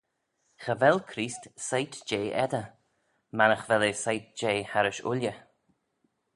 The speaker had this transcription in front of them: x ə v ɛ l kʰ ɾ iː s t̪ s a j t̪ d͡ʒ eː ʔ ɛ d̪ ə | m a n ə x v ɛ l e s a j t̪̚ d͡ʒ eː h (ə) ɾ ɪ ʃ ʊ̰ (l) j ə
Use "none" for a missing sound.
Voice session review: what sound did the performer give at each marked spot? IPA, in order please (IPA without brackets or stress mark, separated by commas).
a, l